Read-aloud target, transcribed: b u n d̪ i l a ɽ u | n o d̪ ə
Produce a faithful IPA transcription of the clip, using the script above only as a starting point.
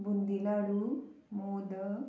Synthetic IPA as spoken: b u n d̪ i l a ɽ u | m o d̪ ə